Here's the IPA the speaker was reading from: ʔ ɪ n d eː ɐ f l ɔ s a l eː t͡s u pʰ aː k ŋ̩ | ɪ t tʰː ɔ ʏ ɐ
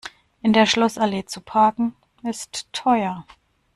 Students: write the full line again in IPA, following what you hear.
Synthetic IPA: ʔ ɪ n d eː ɐ ʃ l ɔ s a l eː t͡s u pʰ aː k ŋ̩ | ɪ s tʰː ɔ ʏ ɐ